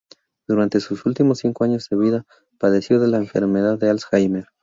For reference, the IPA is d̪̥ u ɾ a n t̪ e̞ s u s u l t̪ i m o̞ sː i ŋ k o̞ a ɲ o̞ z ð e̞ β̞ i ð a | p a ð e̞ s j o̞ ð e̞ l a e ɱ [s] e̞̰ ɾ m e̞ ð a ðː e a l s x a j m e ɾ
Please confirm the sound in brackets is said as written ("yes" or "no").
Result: no